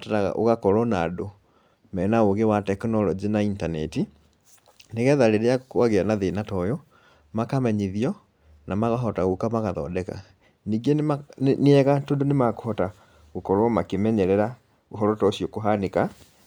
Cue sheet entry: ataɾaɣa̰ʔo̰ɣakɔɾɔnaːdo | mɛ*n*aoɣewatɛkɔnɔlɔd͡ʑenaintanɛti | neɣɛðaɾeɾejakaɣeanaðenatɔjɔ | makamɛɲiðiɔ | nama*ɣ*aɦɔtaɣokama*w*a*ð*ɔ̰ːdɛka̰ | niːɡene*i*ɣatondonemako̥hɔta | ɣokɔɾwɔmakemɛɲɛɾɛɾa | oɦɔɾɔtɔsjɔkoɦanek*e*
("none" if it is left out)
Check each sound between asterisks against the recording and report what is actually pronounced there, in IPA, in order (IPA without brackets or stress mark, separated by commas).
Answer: n, ɣ, ɣ, ð, ɛ, a